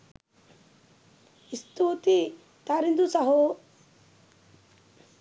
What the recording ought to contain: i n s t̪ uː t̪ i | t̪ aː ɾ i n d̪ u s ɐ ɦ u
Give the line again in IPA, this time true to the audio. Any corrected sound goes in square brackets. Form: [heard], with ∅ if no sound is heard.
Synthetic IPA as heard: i [∅] s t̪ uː t̪ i | t̪ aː ɾ i n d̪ u s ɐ ɦ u